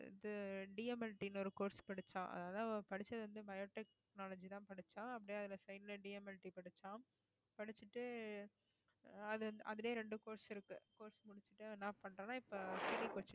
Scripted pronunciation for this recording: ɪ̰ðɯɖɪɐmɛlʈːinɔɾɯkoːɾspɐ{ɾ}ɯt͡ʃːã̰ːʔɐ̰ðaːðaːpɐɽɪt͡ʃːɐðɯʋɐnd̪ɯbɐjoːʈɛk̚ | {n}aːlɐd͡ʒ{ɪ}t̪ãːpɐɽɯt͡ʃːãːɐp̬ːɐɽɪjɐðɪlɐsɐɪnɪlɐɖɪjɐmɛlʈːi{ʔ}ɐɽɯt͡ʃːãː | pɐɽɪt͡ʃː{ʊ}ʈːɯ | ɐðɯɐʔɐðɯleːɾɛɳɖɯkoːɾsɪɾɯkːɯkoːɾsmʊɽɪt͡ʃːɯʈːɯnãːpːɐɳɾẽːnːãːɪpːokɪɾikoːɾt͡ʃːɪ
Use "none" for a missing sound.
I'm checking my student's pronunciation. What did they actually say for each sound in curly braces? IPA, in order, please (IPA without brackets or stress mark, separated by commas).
ɽ, n, i, p, ɯ